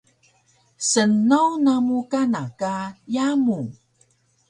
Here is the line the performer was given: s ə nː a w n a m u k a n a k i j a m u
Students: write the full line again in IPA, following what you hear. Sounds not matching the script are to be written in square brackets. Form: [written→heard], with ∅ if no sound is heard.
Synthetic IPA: s ə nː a w n a m u k a n a k [i→a] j a m u